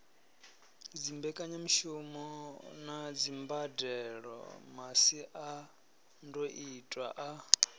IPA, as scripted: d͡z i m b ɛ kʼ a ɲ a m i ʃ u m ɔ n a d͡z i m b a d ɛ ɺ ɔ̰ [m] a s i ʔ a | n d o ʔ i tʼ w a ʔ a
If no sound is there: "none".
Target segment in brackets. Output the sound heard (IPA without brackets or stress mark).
m